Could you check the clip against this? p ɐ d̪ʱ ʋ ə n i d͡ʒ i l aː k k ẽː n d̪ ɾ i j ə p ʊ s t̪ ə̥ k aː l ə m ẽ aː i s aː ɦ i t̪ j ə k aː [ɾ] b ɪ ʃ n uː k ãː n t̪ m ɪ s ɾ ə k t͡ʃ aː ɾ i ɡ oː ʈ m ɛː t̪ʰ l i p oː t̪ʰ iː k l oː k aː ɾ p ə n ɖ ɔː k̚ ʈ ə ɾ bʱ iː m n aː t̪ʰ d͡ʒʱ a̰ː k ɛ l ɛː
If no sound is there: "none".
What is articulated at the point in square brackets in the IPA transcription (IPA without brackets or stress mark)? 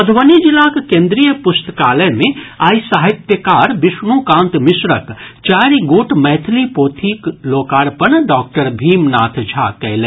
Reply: ɾ